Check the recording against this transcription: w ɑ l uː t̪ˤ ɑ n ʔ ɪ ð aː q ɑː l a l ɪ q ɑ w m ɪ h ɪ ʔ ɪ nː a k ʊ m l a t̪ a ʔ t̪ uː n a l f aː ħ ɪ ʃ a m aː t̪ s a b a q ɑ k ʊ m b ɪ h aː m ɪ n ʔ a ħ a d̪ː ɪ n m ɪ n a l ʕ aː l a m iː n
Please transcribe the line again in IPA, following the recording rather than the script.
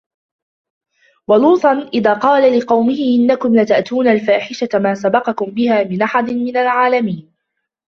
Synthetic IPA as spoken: w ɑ l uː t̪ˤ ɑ n ʔ ɪ ð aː q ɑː l a l ɪ q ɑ w m ɪ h ɪ ʔ ɪ nː a k ʊ m l a t̪ a ʔ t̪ uː n a l f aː ħ ɪ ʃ a m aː s a b ɑ q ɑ k ʊ m b ɪ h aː m ɪ n ʔ a ħ a d̪ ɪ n m ɪ n a l ʕ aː l a m iː n